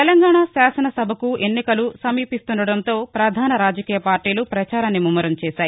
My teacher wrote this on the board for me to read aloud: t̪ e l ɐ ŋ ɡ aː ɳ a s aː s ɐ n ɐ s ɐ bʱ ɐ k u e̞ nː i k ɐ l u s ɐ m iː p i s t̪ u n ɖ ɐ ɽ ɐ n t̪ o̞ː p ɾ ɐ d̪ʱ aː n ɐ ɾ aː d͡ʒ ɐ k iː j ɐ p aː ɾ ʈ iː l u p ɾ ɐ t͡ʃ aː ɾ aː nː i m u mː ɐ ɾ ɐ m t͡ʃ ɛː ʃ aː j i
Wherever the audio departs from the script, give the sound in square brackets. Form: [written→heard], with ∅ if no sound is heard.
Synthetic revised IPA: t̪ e l ɐ ŋ ɡ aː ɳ a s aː s ɐ n ɐ s ɐ bʱ ɐ k u e̞ nː i k ɐ l u s ɐ m iː p i s t̪ u n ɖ ɐ ɽ ɐ n t̪ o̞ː p ɾ ɐ d̪ʱ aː n ɐ ɾ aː d͡ʒ ɐ k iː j ɐ p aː ɾ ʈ iː l u p ɾ ɐ t͡ʃ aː ɾ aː nː i m u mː ɐ ɾ ɐ m t͡ʃ ɛː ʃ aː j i